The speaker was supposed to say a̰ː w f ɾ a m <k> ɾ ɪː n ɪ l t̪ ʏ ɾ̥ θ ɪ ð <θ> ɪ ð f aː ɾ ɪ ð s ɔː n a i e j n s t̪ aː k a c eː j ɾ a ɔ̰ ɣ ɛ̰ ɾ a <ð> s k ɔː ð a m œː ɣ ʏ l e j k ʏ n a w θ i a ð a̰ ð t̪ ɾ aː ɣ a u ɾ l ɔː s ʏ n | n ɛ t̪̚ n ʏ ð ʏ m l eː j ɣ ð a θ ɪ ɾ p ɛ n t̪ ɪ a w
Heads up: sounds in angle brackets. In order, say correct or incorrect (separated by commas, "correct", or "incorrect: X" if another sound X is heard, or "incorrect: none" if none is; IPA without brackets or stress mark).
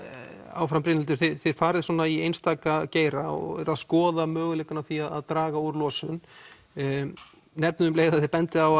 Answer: incorrect: p, correct, correct